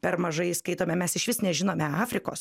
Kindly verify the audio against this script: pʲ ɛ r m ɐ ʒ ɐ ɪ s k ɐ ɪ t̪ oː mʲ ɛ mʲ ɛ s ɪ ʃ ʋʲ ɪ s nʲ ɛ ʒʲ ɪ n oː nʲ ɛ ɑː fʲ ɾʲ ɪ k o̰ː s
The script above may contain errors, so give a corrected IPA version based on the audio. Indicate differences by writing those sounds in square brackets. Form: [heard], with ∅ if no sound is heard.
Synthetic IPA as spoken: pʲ ɛ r m ɐ ʒ ɐ ɪ s k ɐ ɪ t̪ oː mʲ ɛ mʲ ɛ s ɪ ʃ ʋʲ ɪ s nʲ ɛ ʒʲ ɪ n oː [mʲ] ɛ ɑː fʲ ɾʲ ɪ k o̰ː s